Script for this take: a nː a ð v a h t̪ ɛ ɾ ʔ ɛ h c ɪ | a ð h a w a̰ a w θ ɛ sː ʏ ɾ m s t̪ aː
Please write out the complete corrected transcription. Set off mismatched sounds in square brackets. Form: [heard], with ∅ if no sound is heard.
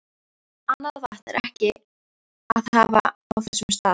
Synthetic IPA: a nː a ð v a h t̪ ɛ ɾ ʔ ɛ h c ɪ | a ð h a [v] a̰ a w θ ɛ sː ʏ [∅] m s t̪ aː